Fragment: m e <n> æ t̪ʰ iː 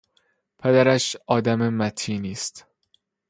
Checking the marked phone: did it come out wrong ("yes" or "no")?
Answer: yes